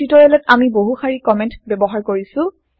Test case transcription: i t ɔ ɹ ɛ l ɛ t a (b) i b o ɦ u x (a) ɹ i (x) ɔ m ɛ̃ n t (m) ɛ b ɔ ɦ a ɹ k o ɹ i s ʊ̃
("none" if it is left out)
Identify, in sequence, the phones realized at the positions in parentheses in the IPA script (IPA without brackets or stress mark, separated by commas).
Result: m, a, k, b